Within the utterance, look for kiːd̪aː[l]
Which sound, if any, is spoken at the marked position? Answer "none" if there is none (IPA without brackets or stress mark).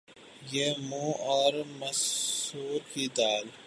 l